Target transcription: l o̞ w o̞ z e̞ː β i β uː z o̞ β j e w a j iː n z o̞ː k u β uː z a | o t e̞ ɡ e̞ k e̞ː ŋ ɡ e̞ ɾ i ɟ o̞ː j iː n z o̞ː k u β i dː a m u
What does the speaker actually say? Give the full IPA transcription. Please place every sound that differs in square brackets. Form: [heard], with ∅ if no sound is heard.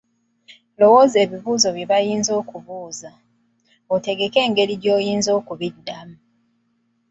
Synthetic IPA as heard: l o̞ w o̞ z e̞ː β i β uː z o̞ β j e [β] a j iː n z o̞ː k u β uː z a | o t e̞ ɡ e̞ k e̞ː ŋ ɡ e̞ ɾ i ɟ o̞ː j iː n z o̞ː k u β i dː a m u

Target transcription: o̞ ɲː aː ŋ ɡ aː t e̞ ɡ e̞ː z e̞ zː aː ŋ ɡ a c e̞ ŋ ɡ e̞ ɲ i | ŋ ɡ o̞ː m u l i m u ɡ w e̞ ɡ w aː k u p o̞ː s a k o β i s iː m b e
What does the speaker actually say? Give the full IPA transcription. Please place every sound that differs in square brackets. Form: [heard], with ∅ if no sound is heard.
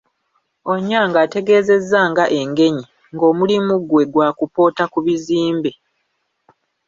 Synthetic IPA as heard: o̞ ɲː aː ŋ ɡ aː t e̞ ɡ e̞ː z e̞ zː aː ŋ ɡ a [ʔ] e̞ ŋ ɡ e̞ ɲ i | ŋ ɡ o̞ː m u l i m u ɡ w e̞ ɡ w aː k u p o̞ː [t] a k [u] β i [z] iː m b e

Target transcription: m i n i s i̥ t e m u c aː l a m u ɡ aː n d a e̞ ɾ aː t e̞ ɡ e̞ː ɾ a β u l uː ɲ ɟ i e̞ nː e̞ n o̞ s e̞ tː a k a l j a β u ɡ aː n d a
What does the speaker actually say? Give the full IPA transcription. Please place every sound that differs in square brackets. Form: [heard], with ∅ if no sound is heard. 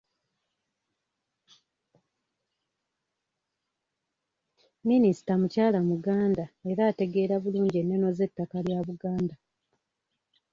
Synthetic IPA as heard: m i n i s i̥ t [a] m u c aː l a m u ɡ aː n d a e̞ ɾ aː t e̞ ɡ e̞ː ɾ a β u l uː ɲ ɟ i e̞ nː e̞ n o̞ [z] e̞ tː a k a l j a β u ɡ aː n d a

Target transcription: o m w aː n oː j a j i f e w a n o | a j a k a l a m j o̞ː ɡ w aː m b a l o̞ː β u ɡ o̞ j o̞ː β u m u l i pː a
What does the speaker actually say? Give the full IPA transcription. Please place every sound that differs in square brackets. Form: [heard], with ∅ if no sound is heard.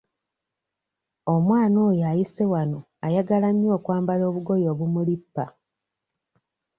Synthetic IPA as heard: o m w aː n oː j a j i [s] e w a n o | a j a [ɡ] a l a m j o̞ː [k] w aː m b a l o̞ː β u ɡ o̞ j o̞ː β u m u l i pː a

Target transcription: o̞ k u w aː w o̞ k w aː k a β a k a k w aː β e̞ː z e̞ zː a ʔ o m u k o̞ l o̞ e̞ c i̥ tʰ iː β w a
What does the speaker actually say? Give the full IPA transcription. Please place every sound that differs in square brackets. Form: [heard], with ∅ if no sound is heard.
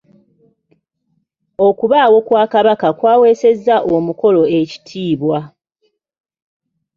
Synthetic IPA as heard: o̞ k u [β] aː w o̞ k w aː k a β a k a k w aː [w] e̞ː [s] e̞ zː a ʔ o m u k o̞ l o̞ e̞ c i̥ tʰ iː β w a

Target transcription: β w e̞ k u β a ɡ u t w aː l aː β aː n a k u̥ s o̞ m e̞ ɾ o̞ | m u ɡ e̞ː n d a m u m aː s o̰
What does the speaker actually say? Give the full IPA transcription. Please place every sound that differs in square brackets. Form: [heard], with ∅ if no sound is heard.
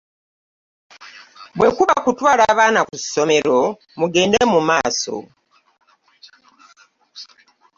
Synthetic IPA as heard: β w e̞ k u β a [k] u t w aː l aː β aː n a k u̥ s o̞ m e̞ ɾ o̞ | m u ɡ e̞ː n d [e] m u m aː s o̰

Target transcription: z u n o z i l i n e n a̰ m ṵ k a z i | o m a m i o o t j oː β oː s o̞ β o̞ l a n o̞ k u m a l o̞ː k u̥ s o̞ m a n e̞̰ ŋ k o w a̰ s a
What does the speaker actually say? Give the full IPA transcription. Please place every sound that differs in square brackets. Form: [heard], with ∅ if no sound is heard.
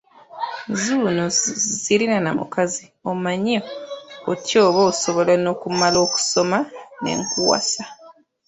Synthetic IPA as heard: z u n o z i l i n [a] n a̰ m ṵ k a z i | o m a [ɲ] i o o t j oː β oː s o̞ β o̞ l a n o̞ k u m a l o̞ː k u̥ s o̞ m a n e̞̰ ŋ k [u] w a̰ s a

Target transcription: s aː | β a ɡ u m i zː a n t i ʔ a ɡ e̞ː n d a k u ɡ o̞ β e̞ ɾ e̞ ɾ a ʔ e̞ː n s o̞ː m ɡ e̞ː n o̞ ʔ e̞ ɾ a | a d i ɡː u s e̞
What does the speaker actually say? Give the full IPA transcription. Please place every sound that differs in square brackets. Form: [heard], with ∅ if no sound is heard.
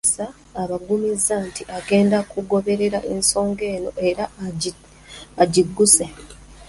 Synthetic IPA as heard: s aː | β a ɡ u m i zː a n t i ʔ a ɡ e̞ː n d a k u ɡ o̞ β e̞ ɾ e̞ ɾ a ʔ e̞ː n s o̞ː [ŋ] ɡ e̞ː n o̞ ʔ e̞ ɾ a | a [ɟ] i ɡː u s e̞

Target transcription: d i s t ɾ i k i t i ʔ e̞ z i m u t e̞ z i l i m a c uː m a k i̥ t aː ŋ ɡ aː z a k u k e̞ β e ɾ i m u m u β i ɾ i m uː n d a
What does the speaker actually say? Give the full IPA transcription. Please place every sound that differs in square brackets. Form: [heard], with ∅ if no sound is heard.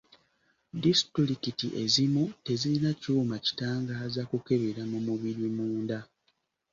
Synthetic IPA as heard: d i s t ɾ i k i t i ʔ e̞ z i m u t e̞ z i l i [n] a c uː m a [c] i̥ t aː ŋ ɡ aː z a k u k e̞ β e ɾ [a] m u m u β i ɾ i m uː n d a

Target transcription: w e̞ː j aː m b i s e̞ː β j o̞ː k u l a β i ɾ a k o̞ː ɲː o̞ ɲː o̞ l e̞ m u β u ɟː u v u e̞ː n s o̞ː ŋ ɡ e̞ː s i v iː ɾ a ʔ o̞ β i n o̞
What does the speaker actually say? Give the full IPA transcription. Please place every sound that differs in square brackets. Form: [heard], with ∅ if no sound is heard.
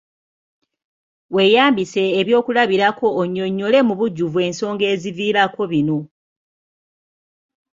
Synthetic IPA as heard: w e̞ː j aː m b i s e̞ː β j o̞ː k u l a β i ɾ a k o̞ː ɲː o̞ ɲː o̞ l e̞ m u β u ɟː u v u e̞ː n s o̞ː ŋ ɡ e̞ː [z] i v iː ɾ a [k] o̞ β i n o̞

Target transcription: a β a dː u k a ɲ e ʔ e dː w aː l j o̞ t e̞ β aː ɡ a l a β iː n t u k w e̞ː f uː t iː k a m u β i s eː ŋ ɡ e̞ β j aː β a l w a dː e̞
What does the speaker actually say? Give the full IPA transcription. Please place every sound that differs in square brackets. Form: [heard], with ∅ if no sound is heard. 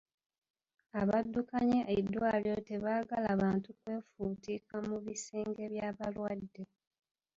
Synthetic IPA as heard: a β a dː u k a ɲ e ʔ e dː w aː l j o̞ t e̞ β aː ɡ a l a β [aː] n t u k w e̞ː f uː t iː k a m u β i s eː ŋ ɡ e̞ β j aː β a l w a dː e̞

